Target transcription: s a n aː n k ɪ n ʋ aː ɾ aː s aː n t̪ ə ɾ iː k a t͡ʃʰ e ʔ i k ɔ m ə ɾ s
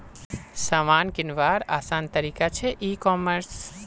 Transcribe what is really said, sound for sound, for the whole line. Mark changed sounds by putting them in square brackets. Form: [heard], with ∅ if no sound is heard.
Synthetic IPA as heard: s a [m] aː n k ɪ n ʋ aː ɾ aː s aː n t̪ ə ɾ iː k a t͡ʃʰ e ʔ i k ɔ m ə ɾ s